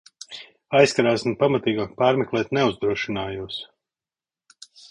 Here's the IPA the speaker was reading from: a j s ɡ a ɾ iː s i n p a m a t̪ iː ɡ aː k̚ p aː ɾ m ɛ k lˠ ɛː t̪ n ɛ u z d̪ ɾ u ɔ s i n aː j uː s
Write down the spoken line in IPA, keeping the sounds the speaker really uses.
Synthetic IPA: a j s k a ɾ aː s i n p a m a t̪ iː ɡ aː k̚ p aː ɾ m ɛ k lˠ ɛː t̪ n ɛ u z d̪ ɾ u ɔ ʃ i n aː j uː s